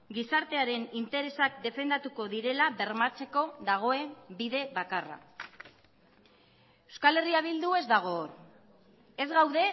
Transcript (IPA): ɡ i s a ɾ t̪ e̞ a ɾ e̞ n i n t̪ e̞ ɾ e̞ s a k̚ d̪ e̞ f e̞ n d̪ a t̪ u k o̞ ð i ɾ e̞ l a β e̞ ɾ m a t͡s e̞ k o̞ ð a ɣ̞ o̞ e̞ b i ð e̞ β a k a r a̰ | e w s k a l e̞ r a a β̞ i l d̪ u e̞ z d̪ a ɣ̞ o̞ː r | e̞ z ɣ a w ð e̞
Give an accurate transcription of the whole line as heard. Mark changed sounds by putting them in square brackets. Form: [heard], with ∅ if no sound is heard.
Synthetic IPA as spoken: ɡ i s a ɾ t̪ e̞ a ɾ e̞ n i n t̪ e̞ ɾ e̞ s a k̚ d̪ e̞ f e̞ n d̪ a t̪ u k o̞ ð i ɾ e̞ l a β e̞ ɾ m a t͡s e̞ k o̞ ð a ɣ̞ o̞ e̞ b i ð e̞ β a k a r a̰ | e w s k a l e̞ r [i] a β̞ i l d̪ u e̞ z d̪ a ɣ̞ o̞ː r | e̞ z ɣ a w ð e̞